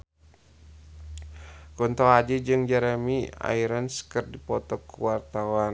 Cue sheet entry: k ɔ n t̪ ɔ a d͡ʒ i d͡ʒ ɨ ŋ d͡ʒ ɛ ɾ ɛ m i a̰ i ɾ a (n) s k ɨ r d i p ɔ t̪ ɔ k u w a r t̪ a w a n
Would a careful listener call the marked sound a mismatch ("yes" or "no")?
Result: no